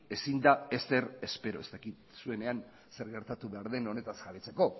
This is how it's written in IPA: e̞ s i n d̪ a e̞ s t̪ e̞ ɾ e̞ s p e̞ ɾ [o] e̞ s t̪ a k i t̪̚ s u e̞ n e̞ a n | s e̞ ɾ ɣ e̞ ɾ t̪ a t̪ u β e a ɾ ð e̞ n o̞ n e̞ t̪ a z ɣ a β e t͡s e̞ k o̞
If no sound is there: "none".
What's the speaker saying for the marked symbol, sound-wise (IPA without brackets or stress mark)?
o